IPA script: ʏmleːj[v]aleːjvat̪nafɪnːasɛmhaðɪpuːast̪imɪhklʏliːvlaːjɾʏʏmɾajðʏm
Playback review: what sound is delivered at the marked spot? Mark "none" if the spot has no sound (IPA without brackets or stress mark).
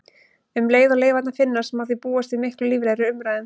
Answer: ð